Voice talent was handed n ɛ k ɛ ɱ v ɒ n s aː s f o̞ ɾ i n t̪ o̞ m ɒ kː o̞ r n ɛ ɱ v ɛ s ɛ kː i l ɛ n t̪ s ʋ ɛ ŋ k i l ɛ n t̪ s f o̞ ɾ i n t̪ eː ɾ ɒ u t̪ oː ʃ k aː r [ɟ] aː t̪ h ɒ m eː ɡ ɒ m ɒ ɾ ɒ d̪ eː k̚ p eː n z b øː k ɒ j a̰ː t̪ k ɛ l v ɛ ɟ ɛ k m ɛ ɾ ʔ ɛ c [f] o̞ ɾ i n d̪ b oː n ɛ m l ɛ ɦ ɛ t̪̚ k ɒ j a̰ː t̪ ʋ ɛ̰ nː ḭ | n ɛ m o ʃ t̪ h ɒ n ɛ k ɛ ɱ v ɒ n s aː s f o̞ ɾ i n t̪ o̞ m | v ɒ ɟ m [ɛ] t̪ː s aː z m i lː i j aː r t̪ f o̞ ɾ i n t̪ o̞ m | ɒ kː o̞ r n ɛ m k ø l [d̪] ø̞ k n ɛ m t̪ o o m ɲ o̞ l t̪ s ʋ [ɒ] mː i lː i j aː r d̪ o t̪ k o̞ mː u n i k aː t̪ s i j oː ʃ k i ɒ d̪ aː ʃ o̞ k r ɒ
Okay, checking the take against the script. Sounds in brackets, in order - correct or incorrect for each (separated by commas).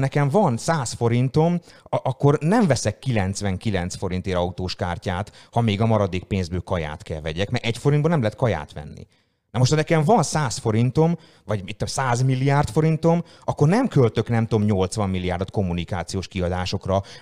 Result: incorrect, correct, incorrect, incorrect, correct